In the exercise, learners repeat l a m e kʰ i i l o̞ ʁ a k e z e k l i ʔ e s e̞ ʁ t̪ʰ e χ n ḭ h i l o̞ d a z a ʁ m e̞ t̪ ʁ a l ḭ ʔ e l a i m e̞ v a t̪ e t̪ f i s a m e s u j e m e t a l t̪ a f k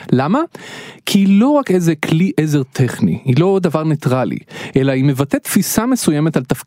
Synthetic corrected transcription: l a m a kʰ i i l o̞ ʁ a k e z e k l i ʔ e z e̞ ʁ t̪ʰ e χ n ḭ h i l o̞ d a v a ʁ n e̞ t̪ ʁ a l ḭ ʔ e l a i m e̞ v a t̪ e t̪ f i s a m e s u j e m e t a l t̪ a f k